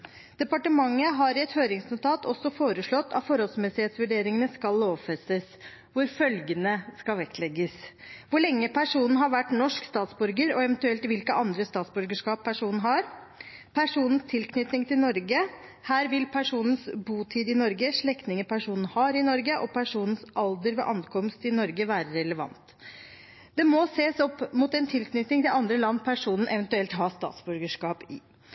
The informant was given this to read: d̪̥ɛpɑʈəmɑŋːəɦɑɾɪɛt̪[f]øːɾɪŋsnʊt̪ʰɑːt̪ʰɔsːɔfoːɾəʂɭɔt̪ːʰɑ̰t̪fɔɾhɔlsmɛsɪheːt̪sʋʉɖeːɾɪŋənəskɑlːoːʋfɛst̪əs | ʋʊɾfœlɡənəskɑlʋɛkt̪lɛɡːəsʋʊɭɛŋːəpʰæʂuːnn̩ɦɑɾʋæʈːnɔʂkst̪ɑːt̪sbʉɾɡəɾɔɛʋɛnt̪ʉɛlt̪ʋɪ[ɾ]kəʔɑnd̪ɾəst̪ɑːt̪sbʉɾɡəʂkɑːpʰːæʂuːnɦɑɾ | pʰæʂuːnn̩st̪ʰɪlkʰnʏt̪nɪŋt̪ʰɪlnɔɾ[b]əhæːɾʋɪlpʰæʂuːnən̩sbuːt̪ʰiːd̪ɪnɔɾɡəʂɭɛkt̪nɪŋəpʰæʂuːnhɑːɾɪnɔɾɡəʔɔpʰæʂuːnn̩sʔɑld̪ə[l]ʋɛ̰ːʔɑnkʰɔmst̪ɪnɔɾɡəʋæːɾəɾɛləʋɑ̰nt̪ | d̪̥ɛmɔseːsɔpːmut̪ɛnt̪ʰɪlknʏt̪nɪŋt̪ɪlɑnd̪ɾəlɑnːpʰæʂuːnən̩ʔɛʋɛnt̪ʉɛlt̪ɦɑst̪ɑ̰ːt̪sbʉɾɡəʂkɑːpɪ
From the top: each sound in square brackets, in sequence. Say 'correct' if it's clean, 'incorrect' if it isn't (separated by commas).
incorrect, incorrect, incorrect, incorrect